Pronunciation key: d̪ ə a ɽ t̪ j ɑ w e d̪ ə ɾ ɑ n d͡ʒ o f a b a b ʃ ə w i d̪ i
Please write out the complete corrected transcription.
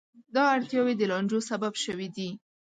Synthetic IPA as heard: d̪ ɑ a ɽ t̪ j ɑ w e d̪ ə l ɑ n d͡ʒ o s a b a b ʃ ə w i d̪ i